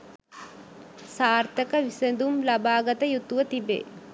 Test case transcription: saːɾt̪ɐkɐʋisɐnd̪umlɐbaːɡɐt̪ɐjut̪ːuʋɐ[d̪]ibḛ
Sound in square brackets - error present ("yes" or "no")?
yes